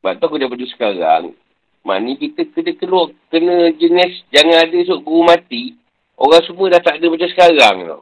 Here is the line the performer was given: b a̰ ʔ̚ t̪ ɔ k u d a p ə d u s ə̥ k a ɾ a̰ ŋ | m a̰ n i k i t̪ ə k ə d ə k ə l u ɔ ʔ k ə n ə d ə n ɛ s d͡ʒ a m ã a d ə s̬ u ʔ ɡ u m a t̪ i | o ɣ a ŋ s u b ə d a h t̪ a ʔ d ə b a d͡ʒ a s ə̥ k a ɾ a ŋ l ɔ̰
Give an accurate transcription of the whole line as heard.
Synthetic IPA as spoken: b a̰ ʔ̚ t̪ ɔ k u d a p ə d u s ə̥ k a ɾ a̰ ŋ | m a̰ n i k i t̪ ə k ə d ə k ə l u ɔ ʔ k ə n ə d͡ʒ ə n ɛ s d͡ʒ a ŋ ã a d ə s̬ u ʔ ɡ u m a t̪ i | o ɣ a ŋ s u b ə d a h t̪ a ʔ d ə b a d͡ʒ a s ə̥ k a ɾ a ŋ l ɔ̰